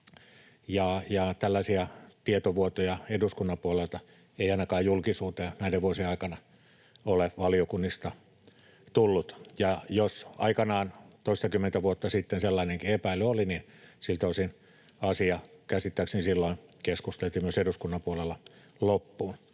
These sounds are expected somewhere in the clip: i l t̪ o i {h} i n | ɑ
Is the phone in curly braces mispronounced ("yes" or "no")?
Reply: yes